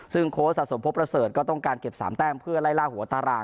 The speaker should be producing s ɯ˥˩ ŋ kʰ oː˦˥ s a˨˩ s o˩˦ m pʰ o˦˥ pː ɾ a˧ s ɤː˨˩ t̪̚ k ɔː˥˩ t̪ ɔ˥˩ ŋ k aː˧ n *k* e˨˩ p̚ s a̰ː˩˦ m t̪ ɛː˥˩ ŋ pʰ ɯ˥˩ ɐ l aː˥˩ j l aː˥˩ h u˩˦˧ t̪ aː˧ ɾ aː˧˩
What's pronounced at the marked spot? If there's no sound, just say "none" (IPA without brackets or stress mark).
k